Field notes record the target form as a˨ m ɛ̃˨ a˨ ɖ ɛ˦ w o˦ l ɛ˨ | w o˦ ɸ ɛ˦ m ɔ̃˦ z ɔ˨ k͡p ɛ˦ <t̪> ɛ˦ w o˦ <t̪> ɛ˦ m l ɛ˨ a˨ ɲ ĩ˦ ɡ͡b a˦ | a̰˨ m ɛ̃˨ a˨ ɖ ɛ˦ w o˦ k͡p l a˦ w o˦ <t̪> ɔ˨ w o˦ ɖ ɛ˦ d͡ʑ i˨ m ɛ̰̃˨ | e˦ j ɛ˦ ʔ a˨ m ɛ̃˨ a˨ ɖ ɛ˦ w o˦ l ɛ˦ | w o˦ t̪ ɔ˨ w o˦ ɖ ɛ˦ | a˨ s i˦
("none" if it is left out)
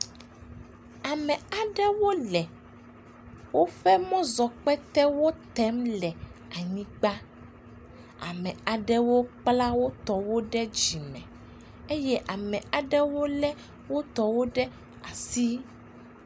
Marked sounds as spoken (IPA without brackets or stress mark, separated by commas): t̪, t̪, t̪